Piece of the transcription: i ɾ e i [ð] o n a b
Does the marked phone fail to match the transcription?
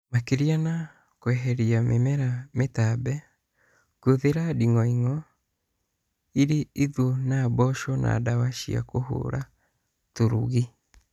no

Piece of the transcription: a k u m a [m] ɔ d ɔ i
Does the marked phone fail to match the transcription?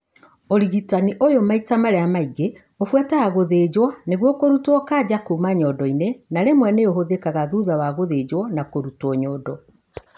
yes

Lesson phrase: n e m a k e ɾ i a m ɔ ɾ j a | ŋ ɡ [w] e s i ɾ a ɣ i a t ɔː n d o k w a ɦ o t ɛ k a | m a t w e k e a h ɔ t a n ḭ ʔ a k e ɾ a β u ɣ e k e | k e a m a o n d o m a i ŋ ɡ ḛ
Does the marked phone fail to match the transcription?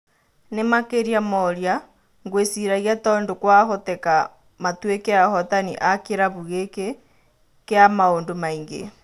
no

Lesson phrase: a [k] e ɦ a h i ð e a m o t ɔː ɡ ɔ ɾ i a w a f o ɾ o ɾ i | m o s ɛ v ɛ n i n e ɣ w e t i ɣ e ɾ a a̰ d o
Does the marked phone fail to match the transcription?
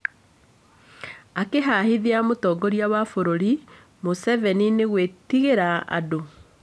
no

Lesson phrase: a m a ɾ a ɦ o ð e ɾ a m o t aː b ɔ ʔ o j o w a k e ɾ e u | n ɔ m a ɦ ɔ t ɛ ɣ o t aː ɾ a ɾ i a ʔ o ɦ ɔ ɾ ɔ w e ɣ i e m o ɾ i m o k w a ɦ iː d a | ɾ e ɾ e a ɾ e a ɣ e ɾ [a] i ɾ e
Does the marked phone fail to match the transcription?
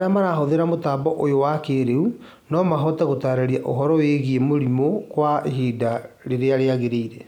yes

